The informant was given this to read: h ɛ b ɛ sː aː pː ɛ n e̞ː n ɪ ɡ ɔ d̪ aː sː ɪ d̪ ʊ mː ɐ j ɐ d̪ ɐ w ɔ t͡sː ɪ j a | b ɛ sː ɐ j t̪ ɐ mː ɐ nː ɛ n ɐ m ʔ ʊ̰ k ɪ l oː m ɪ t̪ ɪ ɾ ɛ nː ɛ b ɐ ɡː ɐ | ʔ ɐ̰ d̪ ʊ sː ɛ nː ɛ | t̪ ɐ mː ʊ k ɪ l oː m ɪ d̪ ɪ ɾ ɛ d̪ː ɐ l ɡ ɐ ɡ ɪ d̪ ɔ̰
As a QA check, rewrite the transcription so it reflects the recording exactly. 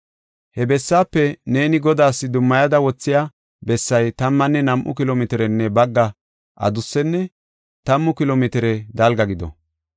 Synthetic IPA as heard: h ɛ b ɛ sː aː pː ɛ n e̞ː n ɪ ɡ ɔ d̪ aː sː ɪ d̪ ʊ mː ɐ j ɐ d̪ ɐ w ɔ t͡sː ɪ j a | b ɛ sː ɐ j t̪ ɐ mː ɐ nː ɛ n ɐ m ʔ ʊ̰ k ɪ l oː m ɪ t̪ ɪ ɾ ɛ nː ɛ b ɐ ɡː ɐ | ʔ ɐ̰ d̪ ʊ sː ɛ nː ɛ | t̪ ɐ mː ʊ k ɪ l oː m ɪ t̪ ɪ ɾ ɛ d̪ ɐ l ɡ ɐ ɡ ɪ d̪ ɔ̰